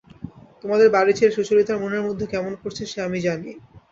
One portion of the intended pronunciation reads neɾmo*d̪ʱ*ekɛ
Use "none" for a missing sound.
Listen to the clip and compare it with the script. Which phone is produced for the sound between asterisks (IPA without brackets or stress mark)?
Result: d̪ʱː